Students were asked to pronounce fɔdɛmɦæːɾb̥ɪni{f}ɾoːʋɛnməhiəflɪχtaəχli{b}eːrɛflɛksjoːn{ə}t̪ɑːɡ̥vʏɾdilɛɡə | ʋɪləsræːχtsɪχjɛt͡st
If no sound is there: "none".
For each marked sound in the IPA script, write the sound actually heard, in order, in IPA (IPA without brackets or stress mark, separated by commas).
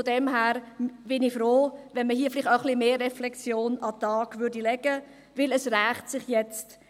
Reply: f, m, ɑ